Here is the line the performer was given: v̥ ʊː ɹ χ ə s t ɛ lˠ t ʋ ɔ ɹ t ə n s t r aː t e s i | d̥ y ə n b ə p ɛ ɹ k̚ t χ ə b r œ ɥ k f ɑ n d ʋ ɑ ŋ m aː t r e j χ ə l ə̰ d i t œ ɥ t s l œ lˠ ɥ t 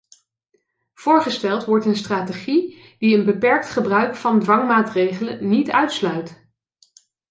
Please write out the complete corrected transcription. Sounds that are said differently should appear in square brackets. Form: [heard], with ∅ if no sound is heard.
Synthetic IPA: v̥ ʊː ɹ χ ə s t ɛ lˠ t ʋ ɔ ɹ t ə n s t r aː t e [χ] i | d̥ [i] ə n b ə p ɛ ɹ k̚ t χ ə b r œ ɥ k f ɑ n d ʋ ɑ ŋ m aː t r e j χ ə l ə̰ [n] i t œ ɥ t s l œ [∅] ɥ t